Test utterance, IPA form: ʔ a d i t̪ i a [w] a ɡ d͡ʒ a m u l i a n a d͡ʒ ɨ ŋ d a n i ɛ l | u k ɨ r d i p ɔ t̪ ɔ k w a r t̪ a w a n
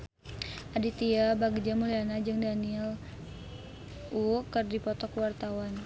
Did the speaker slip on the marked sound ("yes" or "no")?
yes